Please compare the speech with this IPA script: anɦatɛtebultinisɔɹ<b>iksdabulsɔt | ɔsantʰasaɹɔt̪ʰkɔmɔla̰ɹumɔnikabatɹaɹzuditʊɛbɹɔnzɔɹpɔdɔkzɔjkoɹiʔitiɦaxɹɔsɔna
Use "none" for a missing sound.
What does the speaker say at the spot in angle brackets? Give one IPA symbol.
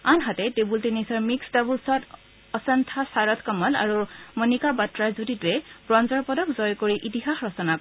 m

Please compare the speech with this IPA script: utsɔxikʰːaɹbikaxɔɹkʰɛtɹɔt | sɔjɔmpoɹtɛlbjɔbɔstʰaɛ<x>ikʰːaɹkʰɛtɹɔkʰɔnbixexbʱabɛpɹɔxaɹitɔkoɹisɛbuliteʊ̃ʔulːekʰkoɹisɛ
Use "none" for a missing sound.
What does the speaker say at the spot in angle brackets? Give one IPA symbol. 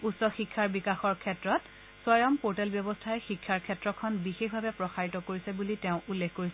x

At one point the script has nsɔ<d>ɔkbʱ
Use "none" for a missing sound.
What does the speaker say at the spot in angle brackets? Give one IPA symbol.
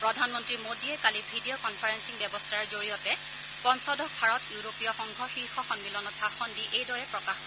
d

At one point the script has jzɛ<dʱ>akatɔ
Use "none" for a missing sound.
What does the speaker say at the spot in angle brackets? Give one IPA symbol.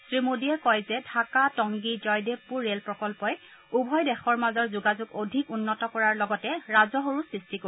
dʱ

